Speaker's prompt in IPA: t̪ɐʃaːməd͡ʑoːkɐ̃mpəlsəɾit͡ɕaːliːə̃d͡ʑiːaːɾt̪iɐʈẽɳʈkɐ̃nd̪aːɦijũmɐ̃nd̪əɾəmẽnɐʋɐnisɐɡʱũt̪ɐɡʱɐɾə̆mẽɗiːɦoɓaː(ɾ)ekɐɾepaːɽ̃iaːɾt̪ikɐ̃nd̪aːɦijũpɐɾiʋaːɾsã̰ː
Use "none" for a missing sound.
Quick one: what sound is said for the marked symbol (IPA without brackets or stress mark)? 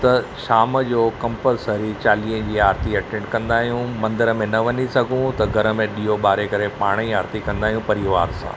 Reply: ɾ